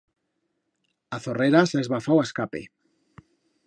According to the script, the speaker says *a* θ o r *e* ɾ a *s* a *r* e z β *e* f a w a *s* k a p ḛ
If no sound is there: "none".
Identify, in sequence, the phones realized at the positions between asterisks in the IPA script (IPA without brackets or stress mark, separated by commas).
a, e, s, none, a, s